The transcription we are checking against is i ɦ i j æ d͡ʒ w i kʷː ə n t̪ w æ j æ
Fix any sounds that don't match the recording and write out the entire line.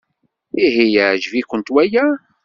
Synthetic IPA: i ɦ i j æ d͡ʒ v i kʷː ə n t̪ w æ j æ